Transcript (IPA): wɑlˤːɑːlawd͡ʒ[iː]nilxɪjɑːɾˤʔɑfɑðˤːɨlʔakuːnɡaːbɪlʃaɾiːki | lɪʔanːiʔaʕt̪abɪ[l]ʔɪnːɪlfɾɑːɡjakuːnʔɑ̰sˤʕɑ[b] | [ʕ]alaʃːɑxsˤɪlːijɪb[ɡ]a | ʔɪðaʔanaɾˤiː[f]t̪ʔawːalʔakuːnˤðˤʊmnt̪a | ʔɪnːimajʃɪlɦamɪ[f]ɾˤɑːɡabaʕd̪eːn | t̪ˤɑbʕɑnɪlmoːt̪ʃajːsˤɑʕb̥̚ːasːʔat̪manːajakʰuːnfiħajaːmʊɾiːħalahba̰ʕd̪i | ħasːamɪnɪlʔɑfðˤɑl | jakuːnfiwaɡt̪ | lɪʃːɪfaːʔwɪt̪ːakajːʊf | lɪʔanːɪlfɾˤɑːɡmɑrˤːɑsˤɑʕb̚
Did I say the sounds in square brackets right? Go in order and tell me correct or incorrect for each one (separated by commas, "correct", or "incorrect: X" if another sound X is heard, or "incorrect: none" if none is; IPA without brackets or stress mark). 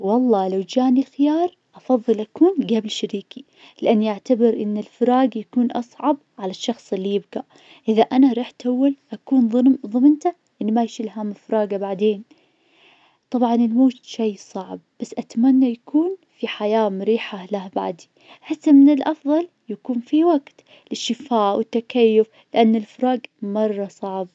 incorrect: aː, incorrect: ɾ, correct, correct, correct, incorrect: ħ, correct